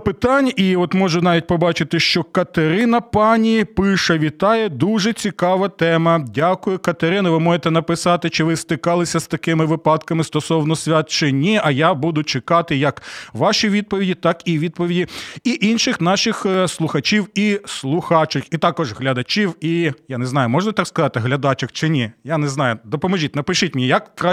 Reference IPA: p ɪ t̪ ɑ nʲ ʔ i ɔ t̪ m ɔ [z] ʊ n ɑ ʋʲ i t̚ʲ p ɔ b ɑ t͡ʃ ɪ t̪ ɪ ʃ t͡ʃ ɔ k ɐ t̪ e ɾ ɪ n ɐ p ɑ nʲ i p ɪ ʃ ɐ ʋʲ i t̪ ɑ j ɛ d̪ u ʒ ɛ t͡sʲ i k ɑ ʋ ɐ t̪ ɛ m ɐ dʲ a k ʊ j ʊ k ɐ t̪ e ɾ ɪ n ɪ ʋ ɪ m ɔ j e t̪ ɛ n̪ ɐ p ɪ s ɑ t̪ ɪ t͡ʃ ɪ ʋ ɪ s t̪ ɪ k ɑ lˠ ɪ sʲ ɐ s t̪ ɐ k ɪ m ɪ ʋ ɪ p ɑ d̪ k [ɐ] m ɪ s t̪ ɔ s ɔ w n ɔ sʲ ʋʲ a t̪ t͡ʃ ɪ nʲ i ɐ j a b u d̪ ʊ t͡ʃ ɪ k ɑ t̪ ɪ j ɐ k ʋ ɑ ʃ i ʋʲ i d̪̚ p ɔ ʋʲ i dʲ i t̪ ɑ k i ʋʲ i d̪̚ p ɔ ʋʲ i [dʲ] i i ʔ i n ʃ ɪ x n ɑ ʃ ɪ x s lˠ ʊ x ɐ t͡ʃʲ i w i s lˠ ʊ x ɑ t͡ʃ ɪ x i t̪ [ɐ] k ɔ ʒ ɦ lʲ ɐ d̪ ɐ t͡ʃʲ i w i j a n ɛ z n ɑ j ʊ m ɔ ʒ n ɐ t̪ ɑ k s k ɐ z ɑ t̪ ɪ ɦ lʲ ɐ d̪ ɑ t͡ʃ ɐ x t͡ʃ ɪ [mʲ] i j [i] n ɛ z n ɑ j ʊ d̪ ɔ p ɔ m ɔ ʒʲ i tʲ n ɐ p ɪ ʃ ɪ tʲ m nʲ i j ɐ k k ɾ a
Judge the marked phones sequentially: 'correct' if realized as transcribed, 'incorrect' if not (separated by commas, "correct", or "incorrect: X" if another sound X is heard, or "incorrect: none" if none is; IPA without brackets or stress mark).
incorrect: ʒ, correct, correct, incorrect: ɑ, incorrect: nʲ, incorrect: a